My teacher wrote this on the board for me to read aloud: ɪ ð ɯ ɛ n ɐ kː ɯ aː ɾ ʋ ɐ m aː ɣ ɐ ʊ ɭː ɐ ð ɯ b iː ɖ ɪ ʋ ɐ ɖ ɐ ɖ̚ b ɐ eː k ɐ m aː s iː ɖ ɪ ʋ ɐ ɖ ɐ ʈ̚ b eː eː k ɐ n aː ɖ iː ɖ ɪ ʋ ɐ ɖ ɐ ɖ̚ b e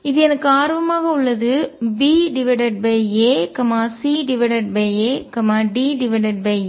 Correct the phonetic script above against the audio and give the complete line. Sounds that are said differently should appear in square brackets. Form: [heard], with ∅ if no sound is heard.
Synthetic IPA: ɪ ð ɯ ɛ n ɐ kː ɯ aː ɾ ʋ ɐ m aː ɣ ɐ ʊ ɭː ɐ ð ɯ b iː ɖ ɪ ʋ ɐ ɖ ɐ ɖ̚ b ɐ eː k ɐ m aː s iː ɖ ɪ ʋ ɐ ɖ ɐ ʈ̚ b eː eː k ɐ [m] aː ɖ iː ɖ ɪ ʋ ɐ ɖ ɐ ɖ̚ b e